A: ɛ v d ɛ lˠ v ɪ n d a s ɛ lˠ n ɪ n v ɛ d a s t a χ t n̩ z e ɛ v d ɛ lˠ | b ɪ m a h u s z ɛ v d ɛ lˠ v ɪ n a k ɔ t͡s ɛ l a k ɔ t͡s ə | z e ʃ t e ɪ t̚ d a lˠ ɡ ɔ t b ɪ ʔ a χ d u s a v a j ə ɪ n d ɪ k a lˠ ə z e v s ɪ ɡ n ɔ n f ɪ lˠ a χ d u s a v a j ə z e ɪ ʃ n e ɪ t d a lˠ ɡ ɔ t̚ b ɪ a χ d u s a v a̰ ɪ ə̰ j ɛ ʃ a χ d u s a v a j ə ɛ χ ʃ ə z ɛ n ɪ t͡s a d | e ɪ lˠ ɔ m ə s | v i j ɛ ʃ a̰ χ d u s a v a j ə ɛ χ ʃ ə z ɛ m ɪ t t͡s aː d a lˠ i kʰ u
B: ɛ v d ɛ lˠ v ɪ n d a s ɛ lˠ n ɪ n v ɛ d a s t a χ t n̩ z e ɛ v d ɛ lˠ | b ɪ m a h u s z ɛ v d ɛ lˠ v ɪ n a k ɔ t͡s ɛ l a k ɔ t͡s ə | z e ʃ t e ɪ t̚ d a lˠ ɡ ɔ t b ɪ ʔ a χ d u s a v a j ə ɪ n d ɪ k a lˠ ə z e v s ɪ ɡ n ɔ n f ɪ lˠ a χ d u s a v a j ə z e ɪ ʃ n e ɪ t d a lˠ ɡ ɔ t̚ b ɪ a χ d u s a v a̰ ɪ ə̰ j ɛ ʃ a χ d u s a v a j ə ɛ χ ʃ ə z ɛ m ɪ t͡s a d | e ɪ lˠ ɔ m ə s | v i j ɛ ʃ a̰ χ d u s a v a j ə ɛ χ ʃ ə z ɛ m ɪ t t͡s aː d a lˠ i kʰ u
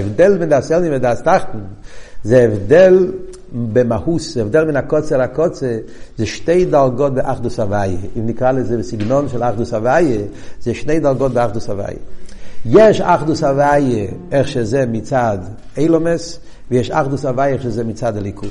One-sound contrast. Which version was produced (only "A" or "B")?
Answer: B